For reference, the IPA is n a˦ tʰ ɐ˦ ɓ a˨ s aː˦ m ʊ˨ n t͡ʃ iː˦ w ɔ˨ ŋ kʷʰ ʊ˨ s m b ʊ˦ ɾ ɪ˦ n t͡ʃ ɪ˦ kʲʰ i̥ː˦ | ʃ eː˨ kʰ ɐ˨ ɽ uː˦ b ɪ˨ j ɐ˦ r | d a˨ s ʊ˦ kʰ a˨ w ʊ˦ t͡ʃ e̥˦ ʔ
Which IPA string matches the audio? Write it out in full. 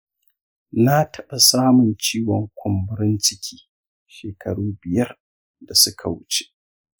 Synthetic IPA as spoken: n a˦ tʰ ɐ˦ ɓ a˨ s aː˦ m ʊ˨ n t͡ʃ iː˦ w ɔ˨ ŋ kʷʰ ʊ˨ m b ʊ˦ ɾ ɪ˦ n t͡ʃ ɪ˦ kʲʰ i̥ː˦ | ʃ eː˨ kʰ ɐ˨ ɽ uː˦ b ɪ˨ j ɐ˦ r | d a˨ s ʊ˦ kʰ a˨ w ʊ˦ t͡ʃ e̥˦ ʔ

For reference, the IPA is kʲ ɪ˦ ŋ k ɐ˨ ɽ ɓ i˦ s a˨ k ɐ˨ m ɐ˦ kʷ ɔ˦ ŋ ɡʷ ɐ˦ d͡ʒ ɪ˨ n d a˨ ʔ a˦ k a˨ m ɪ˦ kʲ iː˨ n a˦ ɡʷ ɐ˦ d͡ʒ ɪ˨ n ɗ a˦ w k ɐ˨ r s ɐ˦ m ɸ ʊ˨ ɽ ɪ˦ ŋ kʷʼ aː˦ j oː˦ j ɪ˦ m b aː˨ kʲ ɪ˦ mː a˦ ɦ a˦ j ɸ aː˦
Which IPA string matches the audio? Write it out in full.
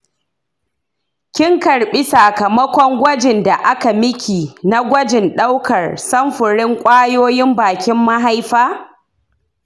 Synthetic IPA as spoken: kʲ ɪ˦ ŋ k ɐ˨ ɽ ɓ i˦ s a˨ k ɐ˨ m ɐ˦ kʷ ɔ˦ ŋ ɡʷ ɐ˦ d͡ʒ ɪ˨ n d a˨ ʔ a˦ k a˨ m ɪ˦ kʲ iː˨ n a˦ ɡʷ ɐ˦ d͡ʒ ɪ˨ n ɗ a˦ w k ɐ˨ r s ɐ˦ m ɸ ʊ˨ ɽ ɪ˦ ŋ kʷʼ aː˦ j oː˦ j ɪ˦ m b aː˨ kʲ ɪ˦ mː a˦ ɦ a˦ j ɸ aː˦

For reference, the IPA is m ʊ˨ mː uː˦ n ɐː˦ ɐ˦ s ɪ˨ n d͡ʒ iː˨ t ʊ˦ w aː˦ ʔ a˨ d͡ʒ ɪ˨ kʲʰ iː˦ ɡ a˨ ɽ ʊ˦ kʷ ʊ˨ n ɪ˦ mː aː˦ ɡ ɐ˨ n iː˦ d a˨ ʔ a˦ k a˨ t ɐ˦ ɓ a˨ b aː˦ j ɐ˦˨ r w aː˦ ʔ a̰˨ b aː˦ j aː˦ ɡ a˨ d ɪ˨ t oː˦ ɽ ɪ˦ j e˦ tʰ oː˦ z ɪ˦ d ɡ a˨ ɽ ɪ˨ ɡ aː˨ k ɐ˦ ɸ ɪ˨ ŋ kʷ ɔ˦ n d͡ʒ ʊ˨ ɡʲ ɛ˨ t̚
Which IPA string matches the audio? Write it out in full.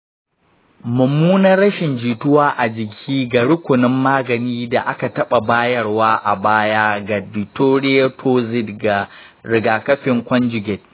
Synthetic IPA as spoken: m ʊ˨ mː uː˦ n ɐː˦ ɐ˦ ʃ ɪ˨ n d͡ʒ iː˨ t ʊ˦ w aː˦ ʔ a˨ d͡ʒ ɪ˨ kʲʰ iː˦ ɡ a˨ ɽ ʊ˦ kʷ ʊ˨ n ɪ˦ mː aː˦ ɡ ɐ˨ n iː˦ d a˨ ʔ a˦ k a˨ t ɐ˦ ɓ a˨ b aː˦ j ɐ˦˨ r w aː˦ ʔ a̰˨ b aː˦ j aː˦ ɡ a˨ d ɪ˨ t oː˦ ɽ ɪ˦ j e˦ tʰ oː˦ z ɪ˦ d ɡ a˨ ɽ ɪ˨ ɡ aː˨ k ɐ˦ ɸ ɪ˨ ŋ kʷ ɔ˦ n d͡ʒ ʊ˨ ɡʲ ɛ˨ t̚

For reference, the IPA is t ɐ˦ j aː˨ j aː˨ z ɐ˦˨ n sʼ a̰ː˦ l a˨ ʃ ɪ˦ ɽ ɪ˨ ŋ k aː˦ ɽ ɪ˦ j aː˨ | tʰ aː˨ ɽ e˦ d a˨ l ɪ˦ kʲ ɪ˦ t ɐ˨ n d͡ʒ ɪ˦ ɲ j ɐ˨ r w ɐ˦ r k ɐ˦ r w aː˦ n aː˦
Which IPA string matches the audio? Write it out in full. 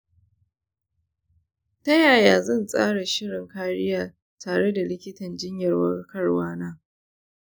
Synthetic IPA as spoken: t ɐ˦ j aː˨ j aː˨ z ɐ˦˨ n sʼ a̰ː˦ ɽ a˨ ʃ ɪ˦ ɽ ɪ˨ ŋ k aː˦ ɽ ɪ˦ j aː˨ | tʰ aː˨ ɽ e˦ d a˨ l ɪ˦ kʲ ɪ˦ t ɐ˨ n d͡ʒ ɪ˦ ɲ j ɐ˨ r w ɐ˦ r k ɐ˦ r w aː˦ n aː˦

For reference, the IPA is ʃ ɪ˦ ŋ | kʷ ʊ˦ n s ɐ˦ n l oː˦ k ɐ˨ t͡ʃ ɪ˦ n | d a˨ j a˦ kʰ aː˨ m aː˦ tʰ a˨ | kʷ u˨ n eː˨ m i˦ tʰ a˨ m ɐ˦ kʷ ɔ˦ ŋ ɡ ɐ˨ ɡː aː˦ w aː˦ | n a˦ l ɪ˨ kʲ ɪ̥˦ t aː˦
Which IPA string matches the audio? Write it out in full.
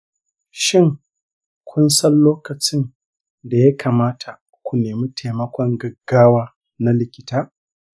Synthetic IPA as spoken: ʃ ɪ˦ ŋ | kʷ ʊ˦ n s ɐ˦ n l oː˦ k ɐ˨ t͡ʃ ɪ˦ n | d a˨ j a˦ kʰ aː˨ m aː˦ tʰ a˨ | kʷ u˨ n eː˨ m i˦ tʰ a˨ m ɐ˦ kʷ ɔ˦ ŋ ɡ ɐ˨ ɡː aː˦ w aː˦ | n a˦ l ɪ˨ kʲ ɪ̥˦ t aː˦

